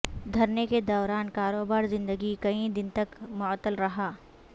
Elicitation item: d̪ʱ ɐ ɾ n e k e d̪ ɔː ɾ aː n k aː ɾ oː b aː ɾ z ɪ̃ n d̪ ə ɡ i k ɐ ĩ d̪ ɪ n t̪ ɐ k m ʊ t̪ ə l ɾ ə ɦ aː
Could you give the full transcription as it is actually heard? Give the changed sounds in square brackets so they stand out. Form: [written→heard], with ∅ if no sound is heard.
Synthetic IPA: d̪ʱ ɐ ɾ n e k e d̪ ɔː ɾ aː n k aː ɾ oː b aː ɾ z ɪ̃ n d̪ ə ɡ i k ɐ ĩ d̪ ɪ n t̪ ɐ k m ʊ t̪ ə l ɾ [ə→ɐ] ɦ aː